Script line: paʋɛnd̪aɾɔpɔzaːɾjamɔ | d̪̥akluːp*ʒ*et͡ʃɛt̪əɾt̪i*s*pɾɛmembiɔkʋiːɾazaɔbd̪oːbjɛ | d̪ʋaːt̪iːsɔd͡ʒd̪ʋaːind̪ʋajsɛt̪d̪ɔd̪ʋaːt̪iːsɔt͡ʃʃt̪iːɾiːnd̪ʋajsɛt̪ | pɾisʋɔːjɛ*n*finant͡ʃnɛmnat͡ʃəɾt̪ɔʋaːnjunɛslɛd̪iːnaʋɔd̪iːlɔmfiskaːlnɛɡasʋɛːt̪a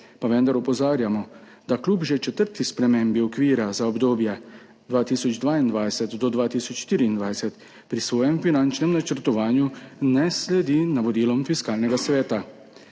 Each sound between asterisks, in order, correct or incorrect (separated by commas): correct, correct, incorrect